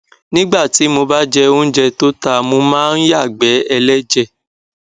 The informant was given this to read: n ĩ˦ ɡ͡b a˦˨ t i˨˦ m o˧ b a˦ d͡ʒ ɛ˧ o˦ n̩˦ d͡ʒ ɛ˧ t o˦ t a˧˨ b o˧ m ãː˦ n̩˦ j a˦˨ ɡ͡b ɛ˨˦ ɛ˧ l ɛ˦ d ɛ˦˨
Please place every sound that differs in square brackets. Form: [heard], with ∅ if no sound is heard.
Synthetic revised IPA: n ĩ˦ ɡ͡b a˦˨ t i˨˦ m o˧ b a˦ d͡ʒ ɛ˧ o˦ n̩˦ d͡ʒ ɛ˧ t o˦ t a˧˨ [m] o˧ m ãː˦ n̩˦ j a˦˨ ɡ͡b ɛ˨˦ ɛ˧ l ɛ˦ [d͡ʒ] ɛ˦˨

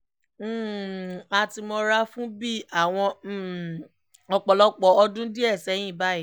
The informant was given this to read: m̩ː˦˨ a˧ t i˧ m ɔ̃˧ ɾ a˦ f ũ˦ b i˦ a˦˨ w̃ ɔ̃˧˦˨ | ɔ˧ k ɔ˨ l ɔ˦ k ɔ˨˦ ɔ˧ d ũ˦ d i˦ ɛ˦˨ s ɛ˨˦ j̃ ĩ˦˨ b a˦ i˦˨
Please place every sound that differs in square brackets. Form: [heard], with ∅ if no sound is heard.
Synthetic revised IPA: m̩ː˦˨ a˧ t i˧ m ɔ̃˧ ɾ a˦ f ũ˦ b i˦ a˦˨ w̃ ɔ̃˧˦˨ | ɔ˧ [k͡p] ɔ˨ l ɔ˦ [k͡p] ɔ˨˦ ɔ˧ d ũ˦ d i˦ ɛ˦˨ s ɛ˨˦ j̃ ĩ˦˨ b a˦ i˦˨

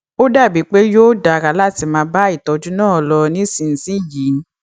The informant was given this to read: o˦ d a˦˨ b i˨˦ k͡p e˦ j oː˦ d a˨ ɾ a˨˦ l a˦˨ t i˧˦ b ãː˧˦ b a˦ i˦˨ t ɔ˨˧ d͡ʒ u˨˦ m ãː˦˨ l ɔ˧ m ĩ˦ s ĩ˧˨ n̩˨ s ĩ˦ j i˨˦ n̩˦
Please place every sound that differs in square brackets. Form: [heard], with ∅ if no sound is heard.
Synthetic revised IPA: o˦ d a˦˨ b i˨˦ k͡p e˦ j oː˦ d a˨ ɾ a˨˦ l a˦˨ t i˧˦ [m] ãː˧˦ b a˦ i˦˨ t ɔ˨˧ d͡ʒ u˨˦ [n] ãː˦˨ l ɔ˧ [n] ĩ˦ s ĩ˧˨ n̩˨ s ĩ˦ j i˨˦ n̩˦

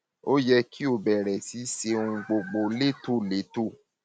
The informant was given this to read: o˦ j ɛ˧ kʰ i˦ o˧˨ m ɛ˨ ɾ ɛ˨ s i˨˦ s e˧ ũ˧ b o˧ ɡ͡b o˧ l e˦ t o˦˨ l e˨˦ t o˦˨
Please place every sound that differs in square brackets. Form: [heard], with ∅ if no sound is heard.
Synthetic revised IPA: o˦ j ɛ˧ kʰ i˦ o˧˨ [b] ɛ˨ ɾ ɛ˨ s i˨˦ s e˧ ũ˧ [ɡ͡b] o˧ ɡ͡b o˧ l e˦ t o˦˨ l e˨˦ t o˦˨

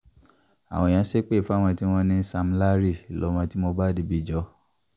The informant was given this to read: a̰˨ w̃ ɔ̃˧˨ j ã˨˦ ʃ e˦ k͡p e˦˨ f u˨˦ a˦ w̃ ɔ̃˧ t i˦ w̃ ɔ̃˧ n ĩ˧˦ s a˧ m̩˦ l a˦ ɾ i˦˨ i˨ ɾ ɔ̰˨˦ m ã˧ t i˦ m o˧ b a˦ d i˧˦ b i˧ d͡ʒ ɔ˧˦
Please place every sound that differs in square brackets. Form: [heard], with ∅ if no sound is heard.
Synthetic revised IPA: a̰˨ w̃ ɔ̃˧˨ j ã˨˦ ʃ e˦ k͡p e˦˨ f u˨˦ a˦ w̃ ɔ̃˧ t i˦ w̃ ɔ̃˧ n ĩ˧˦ s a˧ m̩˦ l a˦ ɾ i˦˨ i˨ [l] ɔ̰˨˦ m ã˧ t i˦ m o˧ b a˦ d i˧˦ b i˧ d͡ʒ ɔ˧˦

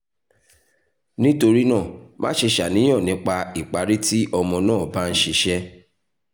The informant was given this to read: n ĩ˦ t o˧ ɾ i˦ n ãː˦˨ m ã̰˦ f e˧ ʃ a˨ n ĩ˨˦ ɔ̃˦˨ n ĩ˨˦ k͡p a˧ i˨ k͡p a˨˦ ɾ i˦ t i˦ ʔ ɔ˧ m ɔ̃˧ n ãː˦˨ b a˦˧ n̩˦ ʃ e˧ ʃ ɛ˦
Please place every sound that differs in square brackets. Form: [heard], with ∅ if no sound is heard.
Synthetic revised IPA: n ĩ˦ t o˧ ɾ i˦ n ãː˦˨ m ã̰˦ [ʃ] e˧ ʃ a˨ n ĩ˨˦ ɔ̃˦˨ n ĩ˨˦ k͡p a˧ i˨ k͡p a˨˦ ɾ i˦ t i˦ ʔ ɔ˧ m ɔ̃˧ n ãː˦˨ b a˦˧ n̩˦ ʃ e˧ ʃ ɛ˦

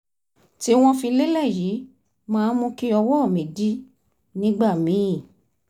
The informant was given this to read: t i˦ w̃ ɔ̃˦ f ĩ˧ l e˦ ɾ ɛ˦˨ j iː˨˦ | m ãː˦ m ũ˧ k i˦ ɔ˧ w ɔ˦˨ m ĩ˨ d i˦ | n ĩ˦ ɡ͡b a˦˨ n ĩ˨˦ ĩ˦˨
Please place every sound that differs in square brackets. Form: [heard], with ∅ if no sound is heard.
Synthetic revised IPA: t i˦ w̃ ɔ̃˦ f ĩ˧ l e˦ [l] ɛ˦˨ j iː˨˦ | m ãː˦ m ũ˧ k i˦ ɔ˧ w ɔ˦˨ m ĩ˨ d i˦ | n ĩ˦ ɡ͡b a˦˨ [m] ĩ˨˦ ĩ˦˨

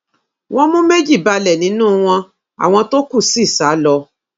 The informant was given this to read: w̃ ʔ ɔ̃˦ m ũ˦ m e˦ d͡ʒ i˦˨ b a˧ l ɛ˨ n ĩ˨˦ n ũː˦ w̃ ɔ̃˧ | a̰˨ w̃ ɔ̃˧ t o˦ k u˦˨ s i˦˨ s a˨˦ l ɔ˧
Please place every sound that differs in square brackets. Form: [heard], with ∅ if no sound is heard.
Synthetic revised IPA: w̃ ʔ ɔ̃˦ m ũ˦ m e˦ d͡ʒ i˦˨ b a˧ l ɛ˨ n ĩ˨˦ n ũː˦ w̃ ɔ̃˧ | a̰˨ w̃ ɔ̃˧ t o˦ k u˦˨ s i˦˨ s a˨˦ l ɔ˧

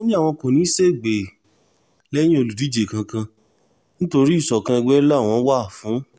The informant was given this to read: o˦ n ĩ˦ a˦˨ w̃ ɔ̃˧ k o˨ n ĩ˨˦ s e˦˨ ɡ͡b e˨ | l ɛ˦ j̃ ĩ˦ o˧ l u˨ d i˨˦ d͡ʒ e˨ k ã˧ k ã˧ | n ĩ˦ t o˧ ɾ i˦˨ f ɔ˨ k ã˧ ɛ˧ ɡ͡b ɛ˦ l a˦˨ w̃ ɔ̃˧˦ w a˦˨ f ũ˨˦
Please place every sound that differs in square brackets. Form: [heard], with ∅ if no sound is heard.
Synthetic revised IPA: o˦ n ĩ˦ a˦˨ w̃ ɔ̃˧ k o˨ n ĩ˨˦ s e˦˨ ɡ͡b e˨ | l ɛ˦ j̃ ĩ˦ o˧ l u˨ d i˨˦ d͡ʒ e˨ k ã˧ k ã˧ | n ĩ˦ t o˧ ɾ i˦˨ [s] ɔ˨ k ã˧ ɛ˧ ɡ͡b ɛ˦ l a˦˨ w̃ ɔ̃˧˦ w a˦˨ f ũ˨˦

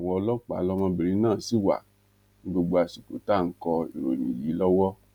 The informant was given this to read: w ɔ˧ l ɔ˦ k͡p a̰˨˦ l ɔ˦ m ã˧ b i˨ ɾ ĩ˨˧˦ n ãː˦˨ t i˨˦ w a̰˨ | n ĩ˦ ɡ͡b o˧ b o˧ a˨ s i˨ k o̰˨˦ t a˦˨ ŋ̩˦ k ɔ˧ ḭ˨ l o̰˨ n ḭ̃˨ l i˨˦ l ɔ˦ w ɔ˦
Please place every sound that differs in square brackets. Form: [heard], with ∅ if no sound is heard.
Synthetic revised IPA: w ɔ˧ l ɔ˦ k͡p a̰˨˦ l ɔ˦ m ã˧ b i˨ ɾ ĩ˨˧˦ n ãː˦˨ [s] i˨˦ w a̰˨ | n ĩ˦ ɡ͡b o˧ [ɡ͡b] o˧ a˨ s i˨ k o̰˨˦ t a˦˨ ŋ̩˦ k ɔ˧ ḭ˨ [ɾ] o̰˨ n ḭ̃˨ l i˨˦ l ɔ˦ w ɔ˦

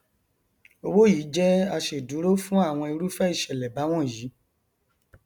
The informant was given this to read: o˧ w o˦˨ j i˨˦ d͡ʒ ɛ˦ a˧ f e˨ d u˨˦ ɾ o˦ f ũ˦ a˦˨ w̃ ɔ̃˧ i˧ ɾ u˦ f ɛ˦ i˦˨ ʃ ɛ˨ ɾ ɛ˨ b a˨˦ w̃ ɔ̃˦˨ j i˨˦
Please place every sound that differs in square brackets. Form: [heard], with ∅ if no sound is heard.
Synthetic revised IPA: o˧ w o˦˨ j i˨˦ d͡ʒ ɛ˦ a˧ [ʃ] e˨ d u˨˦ ɾ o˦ f ũ˦ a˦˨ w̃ ɔ̃˧ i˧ ɾ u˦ f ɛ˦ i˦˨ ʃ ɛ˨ [l] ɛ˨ b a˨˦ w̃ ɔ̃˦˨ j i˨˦

